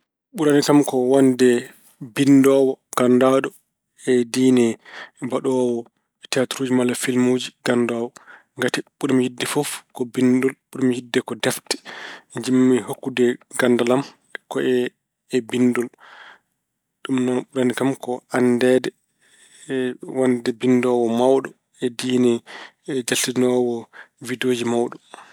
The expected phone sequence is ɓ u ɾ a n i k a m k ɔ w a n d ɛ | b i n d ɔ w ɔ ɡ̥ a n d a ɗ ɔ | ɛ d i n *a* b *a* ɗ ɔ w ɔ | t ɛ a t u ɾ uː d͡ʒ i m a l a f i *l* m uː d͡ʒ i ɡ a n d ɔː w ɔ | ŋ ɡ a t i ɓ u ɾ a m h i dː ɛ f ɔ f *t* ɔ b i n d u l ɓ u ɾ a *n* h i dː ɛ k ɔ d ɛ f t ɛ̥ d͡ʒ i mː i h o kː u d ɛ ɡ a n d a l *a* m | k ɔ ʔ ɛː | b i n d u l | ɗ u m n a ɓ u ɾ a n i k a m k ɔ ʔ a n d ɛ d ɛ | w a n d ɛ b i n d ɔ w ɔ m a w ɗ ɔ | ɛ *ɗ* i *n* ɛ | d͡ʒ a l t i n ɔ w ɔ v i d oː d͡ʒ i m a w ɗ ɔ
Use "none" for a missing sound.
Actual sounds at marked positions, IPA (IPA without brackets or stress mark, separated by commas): ɛ, a, l, k, m, a, d, n